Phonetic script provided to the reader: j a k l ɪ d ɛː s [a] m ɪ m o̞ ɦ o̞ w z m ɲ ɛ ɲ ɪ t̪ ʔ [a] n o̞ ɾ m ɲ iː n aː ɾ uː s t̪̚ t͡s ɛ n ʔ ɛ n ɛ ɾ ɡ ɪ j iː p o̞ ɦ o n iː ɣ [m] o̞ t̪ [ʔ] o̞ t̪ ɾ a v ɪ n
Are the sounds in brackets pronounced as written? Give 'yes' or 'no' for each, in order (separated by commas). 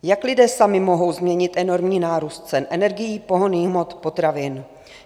yes, no, yes, no